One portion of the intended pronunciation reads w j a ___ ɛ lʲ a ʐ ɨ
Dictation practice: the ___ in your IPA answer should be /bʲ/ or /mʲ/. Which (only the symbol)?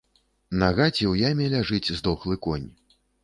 mʲ